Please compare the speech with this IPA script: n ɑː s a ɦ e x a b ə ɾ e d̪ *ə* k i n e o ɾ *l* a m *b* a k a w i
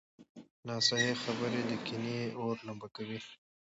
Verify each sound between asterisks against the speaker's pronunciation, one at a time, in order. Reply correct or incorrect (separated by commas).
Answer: correct, correct, correct